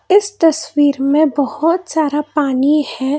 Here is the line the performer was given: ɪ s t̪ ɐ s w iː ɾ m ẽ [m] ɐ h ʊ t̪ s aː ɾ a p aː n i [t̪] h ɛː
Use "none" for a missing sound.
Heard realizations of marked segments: b, none

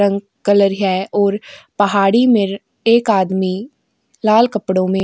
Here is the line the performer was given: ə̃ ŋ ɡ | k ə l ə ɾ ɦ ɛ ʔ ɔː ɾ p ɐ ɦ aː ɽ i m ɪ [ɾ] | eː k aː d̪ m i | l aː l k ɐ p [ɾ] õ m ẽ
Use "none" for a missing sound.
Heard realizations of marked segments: ɾ, ɽ

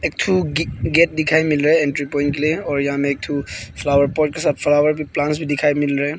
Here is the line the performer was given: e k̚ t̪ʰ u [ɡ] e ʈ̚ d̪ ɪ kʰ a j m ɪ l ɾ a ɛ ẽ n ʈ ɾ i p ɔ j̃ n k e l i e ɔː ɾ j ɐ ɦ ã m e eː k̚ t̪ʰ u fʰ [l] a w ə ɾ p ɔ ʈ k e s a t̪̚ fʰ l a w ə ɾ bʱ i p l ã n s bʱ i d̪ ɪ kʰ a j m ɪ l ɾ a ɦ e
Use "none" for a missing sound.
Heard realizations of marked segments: ɡ, l

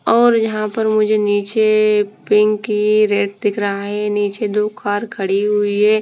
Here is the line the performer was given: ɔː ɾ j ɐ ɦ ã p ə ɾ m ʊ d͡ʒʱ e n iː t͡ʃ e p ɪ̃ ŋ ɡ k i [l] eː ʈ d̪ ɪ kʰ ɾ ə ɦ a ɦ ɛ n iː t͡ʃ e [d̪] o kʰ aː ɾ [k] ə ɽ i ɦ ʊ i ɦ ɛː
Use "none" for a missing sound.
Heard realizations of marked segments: ɾ, d̪, kʰ

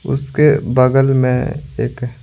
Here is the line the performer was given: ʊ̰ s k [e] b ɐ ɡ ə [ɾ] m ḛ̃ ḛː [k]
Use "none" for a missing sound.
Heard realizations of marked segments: e, l, k

